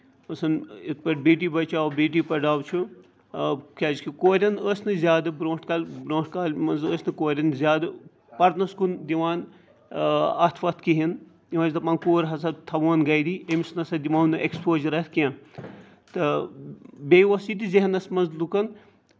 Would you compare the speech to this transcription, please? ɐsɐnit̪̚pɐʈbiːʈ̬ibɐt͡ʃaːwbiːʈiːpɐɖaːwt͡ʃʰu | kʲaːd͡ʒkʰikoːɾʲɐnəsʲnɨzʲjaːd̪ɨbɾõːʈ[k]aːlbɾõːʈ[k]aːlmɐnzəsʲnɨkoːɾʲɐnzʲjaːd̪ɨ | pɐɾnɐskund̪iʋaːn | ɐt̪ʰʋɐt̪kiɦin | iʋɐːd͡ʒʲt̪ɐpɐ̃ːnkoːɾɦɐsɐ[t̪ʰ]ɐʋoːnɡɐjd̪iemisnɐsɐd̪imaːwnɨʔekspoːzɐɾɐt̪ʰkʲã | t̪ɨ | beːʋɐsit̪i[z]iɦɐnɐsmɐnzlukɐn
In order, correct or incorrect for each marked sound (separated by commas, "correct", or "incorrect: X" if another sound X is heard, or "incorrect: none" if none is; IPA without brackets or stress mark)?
correct, correct, correct, correct